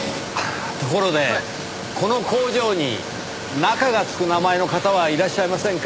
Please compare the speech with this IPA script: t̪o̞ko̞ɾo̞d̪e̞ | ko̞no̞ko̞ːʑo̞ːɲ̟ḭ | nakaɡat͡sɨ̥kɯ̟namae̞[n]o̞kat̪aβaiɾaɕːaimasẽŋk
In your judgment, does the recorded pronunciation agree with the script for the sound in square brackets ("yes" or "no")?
yes